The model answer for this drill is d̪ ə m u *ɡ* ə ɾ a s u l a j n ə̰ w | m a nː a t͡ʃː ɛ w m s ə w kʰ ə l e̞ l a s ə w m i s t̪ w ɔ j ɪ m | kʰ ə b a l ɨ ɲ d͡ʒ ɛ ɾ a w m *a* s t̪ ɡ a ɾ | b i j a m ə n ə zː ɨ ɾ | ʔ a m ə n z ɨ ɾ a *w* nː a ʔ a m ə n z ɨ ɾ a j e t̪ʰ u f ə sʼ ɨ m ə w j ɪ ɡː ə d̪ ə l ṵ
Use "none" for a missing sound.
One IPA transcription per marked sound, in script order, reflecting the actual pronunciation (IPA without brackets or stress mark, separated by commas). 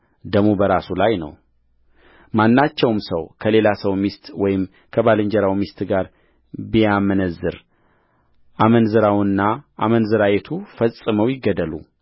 b, i, w